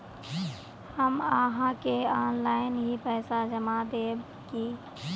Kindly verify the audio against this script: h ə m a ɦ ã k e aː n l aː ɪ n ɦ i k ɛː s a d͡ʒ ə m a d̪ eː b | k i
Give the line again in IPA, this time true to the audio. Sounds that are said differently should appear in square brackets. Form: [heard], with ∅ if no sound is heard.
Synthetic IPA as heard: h ə m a ɦ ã k e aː n l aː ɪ n ɦ i [p] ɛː s a d͡ʒ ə m a d̪ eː b | k i